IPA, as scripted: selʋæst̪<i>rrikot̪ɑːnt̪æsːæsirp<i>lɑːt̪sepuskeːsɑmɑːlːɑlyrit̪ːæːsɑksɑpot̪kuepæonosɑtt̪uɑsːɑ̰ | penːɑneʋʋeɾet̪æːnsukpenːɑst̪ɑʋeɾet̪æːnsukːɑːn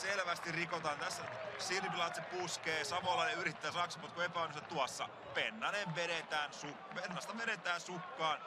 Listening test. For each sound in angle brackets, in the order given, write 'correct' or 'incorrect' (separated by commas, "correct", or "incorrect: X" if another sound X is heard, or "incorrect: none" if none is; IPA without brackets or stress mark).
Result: correct, correct